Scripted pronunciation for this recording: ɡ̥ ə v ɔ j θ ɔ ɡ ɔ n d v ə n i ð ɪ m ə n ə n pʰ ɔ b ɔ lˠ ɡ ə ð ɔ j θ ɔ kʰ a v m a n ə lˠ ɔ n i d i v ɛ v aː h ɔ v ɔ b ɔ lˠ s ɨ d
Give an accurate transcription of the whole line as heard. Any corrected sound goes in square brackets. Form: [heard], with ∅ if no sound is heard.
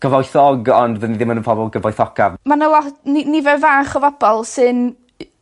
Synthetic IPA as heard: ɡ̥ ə v ɔ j θ ɔ ɡ ɔ n d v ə n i ð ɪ m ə n ə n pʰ ɔ b ɔ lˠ ɡ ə [v] ɔ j θ ɔ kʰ a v m a n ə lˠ ɔ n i [n] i v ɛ v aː [χ] ɔ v ɔ b ɔ lˠ s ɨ [n]